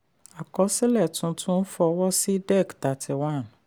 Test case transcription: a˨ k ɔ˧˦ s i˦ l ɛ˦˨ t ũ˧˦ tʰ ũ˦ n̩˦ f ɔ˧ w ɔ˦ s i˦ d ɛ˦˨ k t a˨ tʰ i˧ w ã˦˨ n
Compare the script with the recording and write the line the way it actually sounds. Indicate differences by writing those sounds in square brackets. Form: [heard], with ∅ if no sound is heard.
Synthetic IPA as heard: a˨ k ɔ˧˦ s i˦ l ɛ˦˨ t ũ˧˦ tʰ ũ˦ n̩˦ f ɔ˧ w ɔ˦ s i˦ d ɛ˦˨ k t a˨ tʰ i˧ w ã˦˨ n